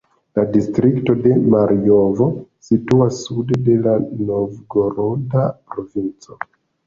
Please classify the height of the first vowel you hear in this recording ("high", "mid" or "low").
low